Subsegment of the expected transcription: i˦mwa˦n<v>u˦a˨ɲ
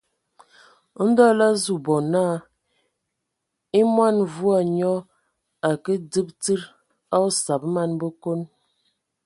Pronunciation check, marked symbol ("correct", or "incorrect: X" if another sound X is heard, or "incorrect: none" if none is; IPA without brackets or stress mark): correct